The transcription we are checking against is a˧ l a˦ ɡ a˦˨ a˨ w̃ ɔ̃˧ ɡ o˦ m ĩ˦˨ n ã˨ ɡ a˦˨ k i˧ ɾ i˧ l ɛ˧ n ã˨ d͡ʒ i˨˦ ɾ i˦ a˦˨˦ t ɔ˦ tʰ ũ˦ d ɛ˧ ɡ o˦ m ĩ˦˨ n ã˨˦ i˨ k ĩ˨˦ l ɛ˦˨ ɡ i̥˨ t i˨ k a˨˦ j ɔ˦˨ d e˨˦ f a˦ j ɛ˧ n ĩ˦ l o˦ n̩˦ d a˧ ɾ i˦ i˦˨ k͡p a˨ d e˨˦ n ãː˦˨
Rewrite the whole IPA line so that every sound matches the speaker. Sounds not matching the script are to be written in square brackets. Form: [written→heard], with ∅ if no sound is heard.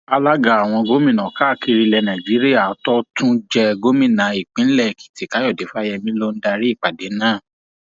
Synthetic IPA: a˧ l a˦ ɡ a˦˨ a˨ w̃ ɔ̃˧ ɡ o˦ m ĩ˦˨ n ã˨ [ɡ→k] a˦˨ k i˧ ɾ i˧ l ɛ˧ n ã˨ d͡ʒ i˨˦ ɾ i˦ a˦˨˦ t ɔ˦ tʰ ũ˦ [d→d͡ʒ] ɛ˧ ɡ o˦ m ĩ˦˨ n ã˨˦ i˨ [k→k͡p] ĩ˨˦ l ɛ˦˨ [ɡ→k] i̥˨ t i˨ k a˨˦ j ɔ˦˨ d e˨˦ f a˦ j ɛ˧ [n→m] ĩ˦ l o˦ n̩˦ d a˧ ɾ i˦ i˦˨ k͡p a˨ d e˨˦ n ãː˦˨